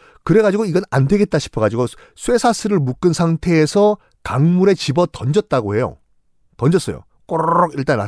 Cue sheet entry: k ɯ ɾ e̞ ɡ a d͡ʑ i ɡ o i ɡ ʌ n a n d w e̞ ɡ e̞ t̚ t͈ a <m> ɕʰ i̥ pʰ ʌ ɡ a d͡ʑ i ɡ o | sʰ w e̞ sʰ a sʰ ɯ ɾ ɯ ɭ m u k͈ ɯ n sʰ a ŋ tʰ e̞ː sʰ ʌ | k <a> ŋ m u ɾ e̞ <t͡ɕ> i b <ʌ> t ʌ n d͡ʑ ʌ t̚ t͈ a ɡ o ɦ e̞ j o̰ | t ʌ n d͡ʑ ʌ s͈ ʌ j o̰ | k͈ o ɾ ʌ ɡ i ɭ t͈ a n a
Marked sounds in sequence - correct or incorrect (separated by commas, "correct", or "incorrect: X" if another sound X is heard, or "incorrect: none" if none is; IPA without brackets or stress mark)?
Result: incorrect: none, correct, correct, correct